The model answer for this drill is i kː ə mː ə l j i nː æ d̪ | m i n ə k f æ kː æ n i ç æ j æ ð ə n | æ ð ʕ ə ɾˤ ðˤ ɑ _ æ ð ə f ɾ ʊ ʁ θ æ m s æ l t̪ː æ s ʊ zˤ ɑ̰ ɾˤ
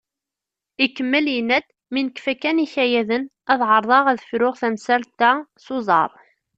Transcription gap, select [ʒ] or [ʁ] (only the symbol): ʁ